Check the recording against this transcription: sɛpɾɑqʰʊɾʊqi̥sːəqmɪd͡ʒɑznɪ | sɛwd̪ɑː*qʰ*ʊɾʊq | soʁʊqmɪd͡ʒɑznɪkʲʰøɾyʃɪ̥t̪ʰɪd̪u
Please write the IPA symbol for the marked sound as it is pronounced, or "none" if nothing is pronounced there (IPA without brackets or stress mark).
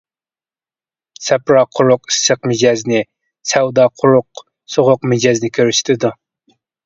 qʰ